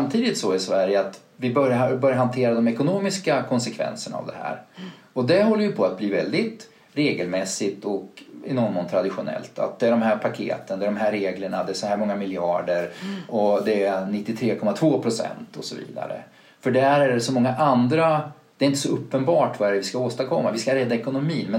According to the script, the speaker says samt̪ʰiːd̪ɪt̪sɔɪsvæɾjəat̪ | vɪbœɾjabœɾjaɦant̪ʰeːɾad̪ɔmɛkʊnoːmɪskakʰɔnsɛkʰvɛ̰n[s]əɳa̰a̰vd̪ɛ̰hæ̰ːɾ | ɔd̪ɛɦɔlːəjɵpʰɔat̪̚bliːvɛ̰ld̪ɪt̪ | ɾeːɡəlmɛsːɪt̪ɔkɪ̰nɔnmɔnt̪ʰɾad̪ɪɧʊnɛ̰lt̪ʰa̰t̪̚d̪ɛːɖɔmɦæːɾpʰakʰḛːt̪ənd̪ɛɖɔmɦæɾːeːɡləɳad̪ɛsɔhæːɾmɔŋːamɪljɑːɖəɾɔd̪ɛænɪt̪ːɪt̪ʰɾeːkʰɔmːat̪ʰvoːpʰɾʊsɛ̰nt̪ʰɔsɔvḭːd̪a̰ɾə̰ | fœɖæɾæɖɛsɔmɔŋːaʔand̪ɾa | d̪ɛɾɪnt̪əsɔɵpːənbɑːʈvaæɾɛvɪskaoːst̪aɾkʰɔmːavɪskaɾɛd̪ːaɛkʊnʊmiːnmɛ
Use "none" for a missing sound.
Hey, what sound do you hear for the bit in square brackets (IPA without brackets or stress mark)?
s